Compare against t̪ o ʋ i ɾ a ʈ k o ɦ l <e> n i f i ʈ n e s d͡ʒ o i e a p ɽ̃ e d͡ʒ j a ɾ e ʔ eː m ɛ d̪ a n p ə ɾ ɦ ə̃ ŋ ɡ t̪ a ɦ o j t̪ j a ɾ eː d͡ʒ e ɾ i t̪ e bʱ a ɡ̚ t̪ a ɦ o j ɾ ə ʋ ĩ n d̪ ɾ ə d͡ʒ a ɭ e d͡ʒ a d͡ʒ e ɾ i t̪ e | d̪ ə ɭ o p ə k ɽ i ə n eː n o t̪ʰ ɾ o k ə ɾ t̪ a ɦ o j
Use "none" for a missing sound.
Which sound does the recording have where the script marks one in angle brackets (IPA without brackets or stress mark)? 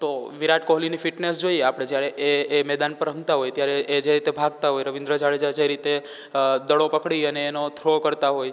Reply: i